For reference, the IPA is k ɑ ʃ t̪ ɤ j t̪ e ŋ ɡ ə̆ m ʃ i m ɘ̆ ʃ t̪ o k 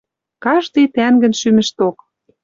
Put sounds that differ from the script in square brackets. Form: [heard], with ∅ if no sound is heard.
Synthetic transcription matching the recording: k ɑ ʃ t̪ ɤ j t̪ [æ] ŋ ɡ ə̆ [n] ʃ [y] m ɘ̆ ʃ t̪ o k